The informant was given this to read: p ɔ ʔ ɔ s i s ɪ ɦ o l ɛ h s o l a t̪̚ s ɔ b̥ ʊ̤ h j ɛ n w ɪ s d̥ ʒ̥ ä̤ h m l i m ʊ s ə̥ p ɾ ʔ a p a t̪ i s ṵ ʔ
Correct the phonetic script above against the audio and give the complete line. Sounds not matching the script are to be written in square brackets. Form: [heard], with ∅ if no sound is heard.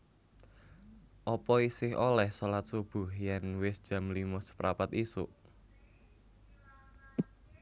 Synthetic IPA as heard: [ʔ] ɔ [p] ɔ [∅] i s ɪ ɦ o l ɛ h s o l a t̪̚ s [u] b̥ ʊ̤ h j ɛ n w ɪ s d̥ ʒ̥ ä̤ [∅] m l i m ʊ s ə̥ p ɾ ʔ a p a t̪ i s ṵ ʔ